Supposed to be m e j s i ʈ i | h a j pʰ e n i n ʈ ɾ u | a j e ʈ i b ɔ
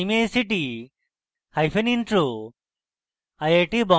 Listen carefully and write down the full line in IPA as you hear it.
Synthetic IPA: m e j s i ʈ i | h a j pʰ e n i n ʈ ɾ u | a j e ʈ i b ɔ

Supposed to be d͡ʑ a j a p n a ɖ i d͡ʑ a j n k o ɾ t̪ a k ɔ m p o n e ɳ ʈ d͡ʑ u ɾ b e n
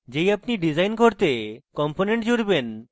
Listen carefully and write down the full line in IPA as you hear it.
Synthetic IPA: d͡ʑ e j a p n i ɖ i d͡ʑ a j n k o ɾ t̪ e k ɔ m p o n e ɳ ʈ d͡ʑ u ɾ b e n

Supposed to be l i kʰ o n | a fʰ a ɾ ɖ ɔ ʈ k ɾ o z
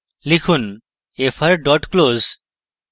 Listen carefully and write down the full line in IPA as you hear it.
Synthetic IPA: l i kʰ u n | e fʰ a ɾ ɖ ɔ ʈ k l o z

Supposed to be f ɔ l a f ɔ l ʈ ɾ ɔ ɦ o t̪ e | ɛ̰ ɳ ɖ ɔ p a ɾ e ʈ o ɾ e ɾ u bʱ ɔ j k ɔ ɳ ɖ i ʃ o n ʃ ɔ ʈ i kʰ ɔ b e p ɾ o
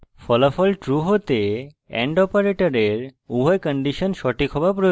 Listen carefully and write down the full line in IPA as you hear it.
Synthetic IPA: f ɔ l a f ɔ l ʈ ɾ u ɦ o t̪ e | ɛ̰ ɳ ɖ ɔ p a ɾ e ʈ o ɾ e ɾ u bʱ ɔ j k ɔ ɳ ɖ i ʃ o n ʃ ɔ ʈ i kʰ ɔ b a p ɾ o

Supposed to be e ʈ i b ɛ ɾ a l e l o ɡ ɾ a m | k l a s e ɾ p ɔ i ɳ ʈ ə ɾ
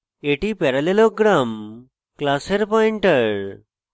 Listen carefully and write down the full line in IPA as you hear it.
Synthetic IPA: e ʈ i p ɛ ɾ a l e l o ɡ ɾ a m | k l a s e ɾ p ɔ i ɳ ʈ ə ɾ

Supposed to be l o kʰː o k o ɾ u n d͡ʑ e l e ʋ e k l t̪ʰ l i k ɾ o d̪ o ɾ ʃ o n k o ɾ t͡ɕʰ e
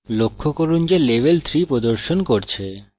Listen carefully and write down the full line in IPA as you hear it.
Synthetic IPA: l o kʰː o k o ɾ u n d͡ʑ e l e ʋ e l t̪ʰ ɾ i p ɾ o d̪ o ɾ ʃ o n k o ɾ t͡ɕʰ e

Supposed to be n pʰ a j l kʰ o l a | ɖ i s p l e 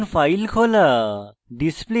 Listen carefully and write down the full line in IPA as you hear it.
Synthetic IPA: n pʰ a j l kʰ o l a | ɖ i s p l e

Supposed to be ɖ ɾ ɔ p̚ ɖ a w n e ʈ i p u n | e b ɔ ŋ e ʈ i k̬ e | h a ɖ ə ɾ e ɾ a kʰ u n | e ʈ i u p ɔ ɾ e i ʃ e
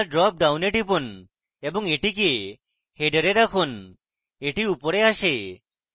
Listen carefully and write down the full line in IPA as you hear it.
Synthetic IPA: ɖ ɾ ɔ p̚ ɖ a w n e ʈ i p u n | e b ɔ ŋ e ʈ i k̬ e | h e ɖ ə ɾ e ɾ a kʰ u n | e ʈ i u p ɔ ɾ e a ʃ e

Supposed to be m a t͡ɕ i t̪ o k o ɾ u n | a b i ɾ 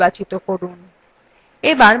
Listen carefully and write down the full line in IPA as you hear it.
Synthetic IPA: b a t͡ɕ i t̪ o k o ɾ u n | e b a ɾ

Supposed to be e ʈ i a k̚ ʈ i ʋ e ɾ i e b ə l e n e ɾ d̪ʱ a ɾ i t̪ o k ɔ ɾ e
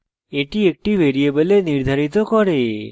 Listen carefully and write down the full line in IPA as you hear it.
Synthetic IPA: e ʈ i e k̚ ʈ i ʋ e ɾ i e b ə l e n i ɾ d̪ʱ a ɾ i t̪ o k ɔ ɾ e

